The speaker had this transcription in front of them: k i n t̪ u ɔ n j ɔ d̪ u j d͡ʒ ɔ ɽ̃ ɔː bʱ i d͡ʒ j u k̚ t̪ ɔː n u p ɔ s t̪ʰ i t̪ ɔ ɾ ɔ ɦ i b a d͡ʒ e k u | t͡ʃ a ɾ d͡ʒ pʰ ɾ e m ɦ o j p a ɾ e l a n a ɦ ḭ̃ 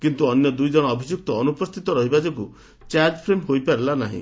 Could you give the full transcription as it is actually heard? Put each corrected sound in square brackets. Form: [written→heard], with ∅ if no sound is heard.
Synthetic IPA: k i n t̪ u ɔ n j ɔ d̪ u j d͡ʒ ɔ ɽ̃ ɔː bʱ i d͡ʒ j u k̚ t̪ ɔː n u p ɔ s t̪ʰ i t̪ ɔ ɾ ɔ ɦ i b a d͡ʒ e k u | t͡ʃ a ɾ d͡ʒ pʰ ɾ e m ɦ o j p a ɾ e l a n a ɦ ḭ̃